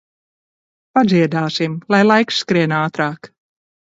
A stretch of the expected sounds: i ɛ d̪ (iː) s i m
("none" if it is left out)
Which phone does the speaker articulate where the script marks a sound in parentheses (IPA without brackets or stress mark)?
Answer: aː